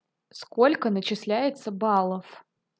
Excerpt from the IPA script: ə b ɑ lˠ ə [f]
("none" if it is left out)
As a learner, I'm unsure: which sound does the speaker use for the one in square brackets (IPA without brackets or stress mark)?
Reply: f